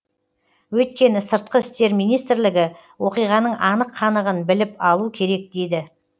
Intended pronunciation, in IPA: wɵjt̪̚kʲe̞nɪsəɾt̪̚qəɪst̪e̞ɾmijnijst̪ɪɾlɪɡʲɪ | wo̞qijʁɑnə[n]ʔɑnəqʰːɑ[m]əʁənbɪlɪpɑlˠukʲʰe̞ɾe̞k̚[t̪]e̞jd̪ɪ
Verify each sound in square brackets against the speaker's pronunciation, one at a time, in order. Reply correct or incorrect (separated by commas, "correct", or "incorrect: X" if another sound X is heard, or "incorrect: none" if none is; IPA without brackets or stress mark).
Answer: incorrect: ɴ, incorrect: n, incorrect: d̪